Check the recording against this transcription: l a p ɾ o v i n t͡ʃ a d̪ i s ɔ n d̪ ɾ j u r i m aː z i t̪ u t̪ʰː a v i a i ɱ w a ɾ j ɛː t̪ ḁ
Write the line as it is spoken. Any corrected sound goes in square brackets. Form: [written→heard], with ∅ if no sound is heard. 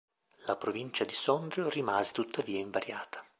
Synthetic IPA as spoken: l a p ɾ o v i n t͡ʃ a d̪ i s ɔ n d̪ ɾ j [u→o] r i m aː z [i→e] t̪ u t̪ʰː a v [i→iː] a i ɱ [w→v] a ɾ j [ɛː→aː] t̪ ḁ